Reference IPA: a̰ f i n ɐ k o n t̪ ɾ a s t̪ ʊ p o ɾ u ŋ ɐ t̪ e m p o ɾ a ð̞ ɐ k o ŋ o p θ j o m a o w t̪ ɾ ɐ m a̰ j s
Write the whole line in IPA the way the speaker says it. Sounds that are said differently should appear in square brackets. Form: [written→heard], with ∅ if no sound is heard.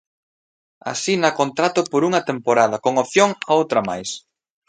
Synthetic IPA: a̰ [f→s] i n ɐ k o n t̪ ɾ a [s→∅] t̪ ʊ p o ɾ u ŋ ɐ t̪ e m p o ɾ a ð̞ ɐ k o ŋ o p θ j o [m→ŋ] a o w t̪ ɾ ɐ m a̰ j s

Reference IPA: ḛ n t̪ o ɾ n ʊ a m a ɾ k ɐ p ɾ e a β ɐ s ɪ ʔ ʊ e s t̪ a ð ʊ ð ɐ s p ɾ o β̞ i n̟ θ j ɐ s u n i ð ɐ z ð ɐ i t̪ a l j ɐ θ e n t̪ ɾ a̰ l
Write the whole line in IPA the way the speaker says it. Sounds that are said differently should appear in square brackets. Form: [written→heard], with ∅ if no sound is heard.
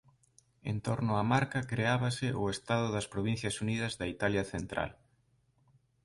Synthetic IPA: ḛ n t̪ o ɾ n ʊ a m a ɾ k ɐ [p→k] ɾ e a β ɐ s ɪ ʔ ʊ e s t̪ a ð ʊ ð ɐ s p ɾ o β̞ i n̟ θ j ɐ s u n i ð ɐ z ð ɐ i t̪ a l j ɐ θ e n t̪ ɾ a̰ l

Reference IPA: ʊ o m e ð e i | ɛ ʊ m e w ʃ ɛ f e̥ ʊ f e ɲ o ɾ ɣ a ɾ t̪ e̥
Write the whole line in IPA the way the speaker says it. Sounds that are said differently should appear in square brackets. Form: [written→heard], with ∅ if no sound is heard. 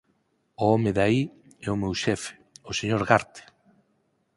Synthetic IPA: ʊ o m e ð [e→a] i | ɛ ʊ m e w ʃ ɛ f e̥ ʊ [f→s] e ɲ o ɾ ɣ a ɾ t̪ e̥

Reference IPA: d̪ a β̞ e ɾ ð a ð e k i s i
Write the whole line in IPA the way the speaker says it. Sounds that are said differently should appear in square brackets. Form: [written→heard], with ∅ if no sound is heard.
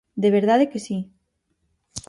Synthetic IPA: d̪ [a→e] β̞ e ɾ ð a ð e k [i→e] s i

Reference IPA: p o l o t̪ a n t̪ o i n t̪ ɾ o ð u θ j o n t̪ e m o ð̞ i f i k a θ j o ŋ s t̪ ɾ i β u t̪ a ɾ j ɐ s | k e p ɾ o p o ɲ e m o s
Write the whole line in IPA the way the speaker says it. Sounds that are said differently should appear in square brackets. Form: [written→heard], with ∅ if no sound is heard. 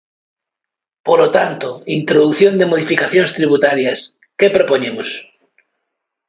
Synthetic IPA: p o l o t̪ a n t̪ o i n t̪ ɾ o ð u θ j o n [t̪→d̪] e m o ð̞ i f i k a θ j o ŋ s t̪ ɾ i β u t̪ a ɾ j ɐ s | k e p ɾ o p o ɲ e m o s

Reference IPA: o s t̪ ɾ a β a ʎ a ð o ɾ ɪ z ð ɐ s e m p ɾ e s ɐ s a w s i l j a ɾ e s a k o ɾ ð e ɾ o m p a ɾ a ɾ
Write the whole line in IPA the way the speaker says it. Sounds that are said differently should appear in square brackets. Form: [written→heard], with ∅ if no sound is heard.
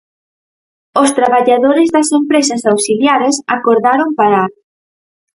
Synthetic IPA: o s t̪ ɾ a β a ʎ a ð o ɾ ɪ z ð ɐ s e m p ɾ e s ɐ s a w s i l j a ɾ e s a k o ɾ ð [e→a] ɾ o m p a ɾ a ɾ

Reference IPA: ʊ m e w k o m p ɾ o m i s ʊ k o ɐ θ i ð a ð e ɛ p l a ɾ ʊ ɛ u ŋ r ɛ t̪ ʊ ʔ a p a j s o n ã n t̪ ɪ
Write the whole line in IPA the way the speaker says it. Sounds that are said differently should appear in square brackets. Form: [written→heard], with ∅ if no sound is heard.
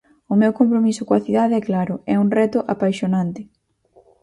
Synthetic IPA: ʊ m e w k o m p ɾ o m i s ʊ k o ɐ θ i ð a ð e ɛ [p→k] l a ɾ ʊ ɛ u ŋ r ɛ t̪ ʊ ʔ a p a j [s→ʃ] o n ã n t̪ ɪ

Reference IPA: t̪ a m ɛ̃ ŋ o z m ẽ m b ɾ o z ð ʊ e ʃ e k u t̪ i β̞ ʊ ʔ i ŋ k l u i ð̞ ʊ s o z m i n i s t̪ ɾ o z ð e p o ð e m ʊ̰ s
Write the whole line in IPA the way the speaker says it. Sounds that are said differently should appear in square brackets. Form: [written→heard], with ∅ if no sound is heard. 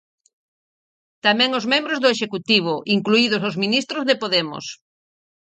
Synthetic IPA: t̪ a m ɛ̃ ŋ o z m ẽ m b ɾ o z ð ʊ e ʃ e k u t̪ i β̞ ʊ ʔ i ŋ k l u i ð̞ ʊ s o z m i n i s t̪ ɾ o z ð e p o ð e m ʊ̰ s

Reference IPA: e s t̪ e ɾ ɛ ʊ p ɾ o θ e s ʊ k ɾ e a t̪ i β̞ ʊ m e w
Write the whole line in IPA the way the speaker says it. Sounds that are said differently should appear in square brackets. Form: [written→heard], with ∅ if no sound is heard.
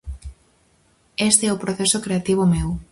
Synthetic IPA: e s t̪ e [ɾ→∅] ɛ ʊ p ɾ o θ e s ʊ k ɾ e a t̪ i β̞ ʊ m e w

